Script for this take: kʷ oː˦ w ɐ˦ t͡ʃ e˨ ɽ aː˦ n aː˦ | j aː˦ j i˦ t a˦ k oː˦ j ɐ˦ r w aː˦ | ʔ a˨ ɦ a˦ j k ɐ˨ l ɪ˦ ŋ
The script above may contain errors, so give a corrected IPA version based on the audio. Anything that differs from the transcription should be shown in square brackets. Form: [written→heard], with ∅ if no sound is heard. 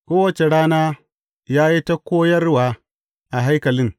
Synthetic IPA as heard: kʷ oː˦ w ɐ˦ t͡ʃ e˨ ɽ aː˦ n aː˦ | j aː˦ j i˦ t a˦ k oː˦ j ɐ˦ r w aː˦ | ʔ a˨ ɦ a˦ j k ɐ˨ l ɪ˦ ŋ